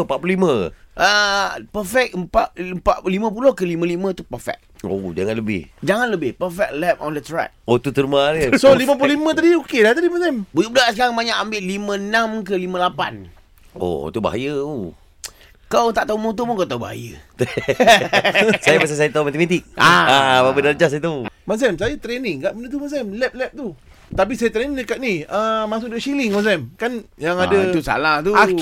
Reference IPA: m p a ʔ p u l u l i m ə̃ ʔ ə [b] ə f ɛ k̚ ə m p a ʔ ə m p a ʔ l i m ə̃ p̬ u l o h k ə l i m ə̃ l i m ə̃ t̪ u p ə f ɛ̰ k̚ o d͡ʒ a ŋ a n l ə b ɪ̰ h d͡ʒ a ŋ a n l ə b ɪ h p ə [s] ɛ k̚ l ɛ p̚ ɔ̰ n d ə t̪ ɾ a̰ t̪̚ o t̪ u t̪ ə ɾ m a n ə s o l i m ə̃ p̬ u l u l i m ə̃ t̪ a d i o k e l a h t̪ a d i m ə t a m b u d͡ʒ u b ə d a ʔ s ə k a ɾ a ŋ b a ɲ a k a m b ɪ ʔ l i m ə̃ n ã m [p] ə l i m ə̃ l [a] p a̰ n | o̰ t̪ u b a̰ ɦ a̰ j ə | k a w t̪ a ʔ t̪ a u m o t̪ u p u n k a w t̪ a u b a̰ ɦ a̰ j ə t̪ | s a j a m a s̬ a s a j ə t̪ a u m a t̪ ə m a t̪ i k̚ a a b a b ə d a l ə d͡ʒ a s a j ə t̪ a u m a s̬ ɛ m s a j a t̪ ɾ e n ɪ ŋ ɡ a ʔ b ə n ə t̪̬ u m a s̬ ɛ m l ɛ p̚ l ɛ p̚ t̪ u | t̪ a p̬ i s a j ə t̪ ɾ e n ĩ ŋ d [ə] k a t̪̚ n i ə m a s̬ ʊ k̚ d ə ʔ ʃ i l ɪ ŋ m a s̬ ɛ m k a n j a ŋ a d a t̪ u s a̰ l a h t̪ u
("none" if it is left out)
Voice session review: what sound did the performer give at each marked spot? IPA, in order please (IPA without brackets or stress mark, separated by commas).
p, f, k, a, ə